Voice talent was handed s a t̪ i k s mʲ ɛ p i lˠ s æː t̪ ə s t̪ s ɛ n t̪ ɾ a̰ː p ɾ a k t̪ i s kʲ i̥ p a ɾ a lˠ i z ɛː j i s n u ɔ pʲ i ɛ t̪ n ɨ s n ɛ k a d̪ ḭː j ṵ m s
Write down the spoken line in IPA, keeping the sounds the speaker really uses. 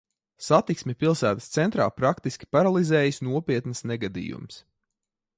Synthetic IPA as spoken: s a t̪ i k s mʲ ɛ p i lˠ s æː t̪ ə s t̪ s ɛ n t̪ ɾ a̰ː p ɾ a k t̪ i s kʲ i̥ p a ɾ a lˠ i z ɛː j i s n u ɔ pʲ i ɛ t̪ n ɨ s n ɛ ɡ a d̪ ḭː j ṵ m s